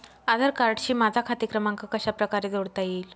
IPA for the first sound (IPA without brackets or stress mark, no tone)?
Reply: a